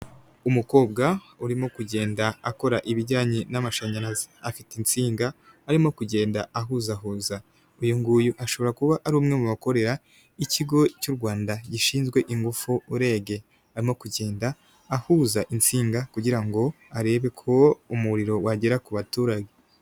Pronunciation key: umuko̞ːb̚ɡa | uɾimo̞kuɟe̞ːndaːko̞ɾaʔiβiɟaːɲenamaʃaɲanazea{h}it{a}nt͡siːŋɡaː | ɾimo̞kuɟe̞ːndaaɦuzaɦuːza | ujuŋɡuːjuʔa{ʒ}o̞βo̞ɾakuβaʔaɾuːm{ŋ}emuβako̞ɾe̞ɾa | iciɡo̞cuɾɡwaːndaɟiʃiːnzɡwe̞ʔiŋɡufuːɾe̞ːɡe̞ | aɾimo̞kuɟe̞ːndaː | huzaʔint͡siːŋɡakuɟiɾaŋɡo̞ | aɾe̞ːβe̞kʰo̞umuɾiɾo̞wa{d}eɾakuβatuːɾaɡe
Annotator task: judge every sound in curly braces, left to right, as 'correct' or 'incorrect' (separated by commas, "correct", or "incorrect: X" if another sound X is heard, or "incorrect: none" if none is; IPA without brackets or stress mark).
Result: incorrect: f, incorrect: i, incorrect: ʃ, correct, incorrect: ɟ